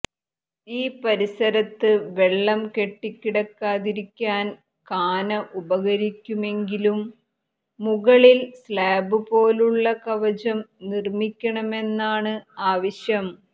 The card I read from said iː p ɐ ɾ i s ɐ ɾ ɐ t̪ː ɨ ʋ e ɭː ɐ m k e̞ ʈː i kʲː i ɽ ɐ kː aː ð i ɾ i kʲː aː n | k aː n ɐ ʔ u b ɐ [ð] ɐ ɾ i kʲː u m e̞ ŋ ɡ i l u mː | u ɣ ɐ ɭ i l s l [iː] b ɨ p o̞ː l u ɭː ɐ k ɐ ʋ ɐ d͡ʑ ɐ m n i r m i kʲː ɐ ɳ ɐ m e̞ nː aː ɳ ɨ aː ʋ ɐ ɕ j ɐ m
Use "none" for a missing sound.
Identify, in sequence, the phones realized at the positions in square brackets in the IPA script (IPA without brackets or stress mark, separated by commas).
ɣ, aː